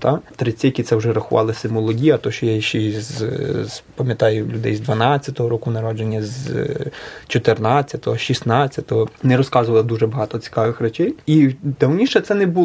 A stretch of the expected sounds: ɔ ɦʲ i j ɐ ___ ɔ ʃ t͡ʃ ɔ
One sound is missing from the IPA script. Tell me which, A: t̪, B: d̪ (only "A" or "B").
A